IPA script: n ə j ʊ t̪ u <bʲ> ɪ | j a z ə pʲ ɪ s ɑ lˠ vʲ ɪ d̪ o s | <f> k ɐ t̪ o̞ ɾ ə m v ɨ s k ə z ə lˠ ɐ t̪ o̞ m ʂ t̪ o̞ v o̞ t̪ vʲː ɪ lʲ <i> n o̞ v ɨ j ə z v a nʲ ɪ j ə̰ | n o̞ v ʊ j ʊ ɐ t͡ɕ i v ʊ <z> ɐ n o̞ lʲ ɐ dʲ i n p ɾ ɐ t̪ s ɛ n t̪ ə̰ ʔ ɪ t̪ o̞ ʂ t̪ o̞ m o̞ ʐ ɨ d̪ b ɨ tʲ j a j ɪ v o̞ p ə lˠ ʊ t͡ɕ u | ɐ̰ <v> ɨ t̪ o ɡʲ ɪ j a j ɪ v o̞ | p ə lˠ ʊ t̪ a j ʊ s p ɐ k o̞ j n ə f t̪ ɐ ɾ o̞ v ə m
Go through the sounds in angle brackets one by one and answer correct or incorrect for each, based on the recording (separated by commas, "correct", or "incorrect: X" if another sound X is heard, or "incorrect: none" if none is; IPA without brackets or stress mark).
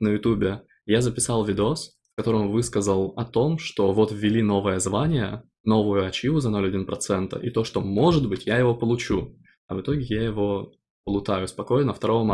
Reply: correct, correct, correct, correct, correct